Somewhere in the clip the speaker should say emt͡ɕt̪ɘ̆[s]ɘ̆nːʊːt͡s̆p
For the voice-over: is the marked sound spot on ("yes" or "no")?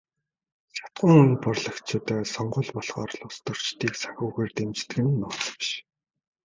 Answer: no